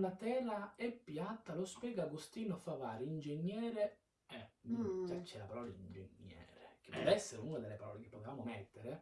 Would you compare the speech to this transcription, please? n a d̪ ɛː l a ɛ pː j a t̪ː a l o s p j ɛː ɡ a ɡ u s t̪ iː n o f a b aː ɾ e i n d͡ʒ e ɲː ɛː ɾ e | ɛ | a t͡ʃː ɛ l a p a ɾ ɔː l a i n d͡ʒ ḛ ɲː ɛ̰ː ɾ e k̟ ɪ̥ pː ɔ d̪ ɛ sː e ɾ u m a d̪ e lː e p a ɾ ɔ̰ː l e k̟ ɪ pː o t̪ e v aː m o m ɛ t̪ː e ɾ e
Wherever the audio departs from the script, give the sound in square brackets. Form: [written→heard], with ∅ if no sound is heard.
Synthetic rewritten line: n a [d̪→t̪] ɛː l a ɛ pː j a t̪ː a l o s p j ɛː ɡ a ɡ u s t̪ iː n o f a [b→v] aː ɾ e i n d͡ʒ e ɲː ɛː ɾ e | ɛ | a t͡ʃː ɛ l a p a ɾ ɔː l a i n d͡ʒ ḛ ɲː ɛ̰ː ɾ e k̟ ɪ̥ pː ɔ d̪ ɛ sː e ɾ u [m→n] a d̪ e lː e p a ɾ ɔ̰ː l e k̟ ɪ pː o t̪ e v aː m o m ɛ t̪ː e ɾ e